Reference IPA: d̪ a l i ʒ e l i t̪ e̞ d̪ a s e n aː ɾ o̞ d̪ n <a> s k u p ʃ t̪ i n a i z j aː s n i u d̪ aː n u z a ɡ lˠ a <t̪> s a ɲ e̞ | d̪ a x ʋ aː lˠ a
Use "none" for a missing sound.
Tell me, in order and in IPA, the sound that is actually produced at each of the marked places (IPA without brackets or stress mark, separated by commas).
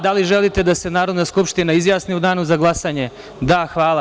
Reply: a, none